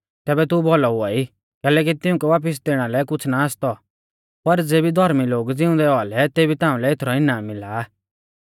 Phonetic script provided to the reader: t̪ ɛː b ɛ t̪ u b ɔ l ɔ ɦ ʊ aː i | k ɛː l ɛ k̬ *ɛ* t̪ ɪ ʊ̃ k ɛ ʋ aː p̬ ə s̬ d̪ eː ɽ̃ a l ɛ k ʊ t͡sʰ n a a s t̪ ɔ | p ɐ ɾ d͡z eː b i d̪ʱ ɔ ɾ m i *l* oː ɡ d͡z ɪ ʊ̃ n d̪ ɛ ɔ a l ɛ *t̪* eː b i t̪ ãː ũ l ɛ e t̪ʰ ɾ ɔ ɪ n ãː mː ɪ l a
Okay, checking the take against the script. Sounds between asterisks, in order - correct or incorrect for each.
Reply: incorrect: i, correct, correct

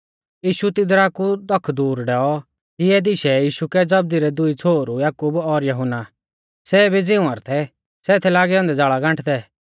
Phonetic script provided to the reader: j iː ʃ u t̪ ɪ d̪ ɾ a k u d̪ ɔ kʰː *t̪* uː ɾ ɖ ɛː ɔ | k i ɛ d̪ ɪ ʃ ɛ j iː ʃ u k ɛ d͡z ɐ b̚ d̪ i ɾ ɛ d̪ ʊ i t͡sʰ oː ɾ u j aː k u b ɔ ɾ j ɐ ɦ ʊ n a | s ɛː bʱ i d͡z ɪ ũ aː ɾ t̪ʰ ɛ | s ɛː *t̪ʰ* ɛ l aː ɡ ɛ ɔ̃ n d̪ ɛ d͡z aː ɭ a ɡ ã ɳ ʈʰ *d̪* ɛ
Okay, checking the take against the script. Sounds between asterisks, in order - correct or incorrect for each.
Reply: incorrect: d̪, correct, correct

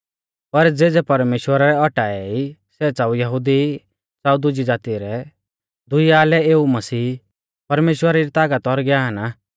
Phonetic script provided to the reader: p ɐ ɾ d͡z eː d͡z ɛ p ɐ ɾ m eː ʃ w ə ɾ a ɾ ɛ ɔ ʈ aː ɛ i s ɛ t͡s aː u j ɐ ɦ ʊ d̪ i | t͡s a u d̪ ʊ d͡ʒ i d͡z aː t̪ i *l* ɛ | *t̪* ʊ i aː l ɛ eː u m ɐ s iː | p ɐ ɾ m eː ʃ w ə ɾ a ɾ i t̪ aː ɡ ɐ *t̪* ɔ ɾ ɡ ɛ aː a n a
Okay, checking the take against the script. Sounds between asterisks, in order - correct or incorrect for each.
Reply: incorrect: ɾ, incorrect: d̪, correct

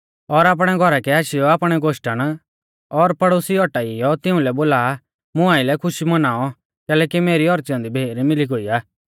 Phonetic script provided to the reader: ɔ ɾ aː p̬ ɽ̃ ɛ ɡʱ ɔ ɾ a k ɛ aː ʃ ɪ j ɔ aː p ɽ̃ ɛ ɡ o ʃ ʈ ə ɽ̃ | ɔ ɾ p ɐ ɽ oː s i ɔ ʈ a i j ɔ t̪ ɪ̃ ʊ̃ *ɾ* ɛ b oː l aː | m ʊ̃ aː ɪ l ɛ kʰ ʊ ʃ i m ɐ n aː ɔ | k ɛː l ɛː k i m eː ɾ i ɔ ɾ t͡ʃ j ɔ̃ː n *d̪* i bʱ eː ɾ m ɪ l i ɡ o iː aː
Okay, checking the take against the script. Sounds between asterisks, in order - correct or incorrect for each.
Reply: incorrect: l, correct

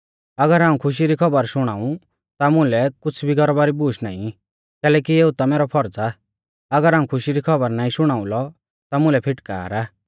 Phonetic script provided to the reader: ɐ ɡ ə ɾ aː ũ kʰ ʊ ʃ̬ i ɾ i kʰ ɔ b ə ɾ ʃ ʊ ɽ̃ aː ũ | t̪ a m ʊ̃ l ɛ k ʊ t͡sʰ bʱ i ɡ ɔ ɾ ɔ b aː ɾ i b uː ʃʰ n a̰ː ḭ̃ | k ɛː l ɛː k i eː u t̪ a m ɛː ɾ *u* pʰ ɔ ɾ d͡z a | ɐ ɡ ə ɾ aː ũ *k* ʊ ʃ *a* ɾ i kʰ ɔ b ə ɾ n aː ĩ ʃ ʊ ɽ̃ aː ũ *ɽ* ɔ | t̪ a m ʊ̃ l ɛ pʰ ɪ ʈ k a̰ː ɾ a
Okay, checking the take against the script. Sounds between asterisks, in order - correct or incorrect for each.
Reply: incorrect: ɔ, incorrect: kʰ, incorrect: i, incorrect: l

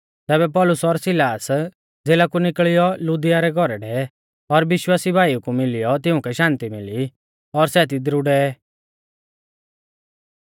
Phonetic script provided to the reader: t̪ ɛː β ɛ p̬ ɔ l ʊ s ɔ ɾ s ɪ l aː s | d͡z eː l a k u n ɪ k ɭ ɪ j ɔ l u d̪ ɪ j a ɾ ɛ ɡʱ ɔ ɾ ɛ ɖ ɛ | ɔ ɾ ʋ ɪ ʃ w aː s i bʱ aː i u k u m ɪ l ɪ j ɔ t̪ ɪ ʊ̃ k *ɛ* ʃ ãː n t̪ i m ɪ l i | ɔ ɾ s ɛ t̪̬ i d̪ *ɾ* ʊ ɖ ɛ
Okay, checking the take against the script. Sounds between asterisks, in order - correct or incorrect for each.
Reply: correct, correct

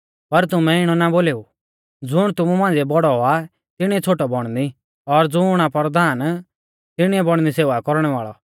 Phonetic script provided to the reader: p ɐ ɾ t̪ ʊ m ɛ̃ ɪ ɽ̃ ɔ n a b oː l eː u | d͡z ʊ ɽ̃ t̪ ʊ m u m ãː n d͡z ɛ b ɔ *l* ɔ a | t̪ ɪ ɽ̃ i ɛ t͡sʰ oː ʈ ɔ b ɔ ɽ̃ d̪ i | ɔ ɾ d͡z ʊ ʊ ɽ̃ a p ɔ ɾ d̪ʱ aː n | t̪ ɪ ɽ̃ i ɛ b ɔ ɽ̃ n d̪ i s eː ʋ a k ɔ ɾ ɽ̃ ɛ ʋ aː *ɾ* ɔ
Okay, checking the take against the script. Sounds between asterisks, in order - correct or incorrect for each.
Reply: incorrect: ɽ, incorrect: ɭ

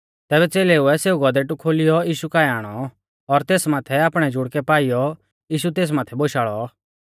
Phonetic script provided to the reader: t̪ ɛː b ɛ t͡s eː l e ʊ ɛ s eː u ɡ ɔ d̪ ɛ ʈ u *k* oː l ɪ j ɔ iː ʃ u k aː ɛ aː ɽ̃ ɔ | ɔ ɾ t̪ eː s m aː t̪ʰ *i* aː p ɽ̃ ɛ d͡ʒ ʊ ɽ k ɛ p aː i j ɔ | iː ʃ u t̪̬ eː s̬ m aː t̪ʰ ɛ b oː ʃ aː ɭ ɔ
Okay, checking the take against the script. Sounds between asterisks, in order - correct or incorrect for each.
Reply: incorrect: kʰ, incorrect: ɛ

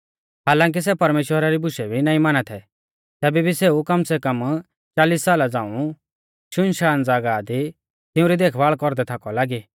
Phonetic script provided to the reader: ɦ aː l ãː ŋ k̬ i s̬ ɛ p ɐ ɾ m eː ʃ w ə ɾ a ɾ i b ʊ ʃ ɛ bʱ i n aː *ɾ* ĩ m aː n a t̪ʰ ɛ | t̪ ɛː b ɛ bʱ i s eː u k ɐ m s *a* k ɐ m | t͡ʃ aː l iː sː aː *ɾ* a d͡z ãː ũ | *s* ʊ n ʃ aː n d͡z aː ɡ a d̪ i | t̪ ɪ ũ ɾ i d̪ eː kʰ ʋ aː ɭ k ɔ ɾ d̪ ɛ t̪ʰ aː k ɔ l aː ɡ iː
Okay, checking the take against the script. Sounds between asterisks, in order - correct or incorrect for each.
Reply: incorrect: none, incorrect: ɛ, incorrect: l, incorrect: ʃ

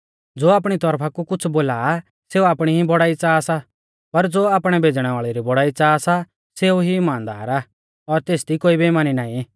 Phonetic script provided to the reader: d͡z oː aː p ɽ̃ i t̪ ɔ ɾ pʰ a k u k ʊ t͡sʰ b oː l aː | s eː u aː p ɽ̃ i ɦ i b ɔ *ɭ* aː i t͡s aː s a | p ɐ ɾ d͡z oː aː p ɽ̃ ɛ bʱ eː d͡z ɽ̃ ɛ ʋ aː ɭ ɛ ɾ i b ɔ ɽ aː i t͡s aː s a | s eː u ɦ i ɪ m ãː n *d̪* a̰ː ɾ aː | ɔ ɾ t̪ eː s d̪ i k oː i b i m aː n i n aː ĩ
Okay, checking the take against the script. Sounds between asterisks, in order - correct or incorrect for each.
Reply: incorrect: ɽ, correct

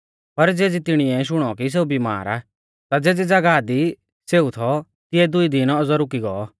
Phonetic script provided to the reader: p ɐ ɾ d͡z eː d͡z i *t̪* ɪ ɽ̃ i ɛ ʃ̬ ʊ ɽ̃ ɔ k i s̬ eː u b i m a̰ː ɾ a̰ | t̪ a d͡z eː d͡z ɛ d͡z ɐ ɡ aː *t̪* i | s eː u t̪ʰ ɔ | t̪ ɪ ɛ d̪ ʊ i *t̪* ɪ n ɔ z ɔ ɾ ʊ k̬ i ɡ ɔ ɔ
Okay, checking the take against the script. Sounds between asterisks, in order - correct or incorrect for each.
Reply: correct, incorrect: d̪, incorrect: d̪

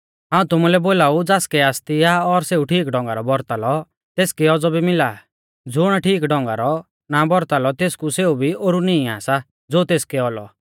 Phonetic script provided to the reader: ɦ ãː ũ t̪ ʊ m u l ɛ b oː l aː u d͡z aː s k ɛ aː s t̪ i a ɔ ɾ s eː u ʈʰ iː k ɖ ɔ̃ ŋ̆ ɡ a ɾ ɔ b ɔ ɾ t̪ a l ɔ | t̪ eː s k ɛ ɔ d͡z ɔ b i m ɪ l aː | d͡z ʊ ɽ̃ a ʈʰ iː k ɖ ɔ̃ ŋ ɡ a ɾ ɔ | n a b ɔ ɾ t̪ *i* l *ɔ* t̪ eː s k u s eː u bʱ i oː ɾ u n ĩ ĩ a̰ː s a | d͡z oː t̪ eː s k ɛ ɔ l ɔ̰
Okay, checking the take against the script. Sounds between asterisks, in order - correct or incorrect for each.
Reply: incorrect: a, correct

